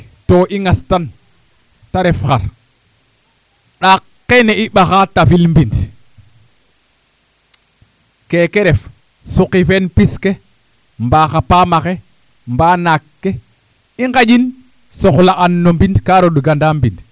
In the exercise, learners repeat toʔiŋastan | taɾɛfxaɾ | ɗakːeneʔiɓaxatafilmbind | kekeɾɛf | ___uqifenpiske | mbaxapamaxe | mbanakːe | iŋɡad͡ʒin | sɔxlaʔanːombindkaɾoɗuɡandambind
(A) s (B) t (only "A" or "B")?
A